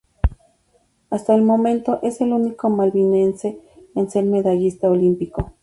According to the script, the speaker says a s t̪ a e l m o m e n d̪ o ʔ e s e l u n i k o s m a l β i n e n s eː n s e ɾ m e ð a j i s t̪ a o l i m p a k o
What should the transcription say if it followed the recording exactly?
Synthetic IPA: a s t̪ a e l m o m e n t̪ o ʔ e s e l u n i k o m a l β i n e n s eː n s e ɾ m e ð a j i s t̪ a o l i m p i k o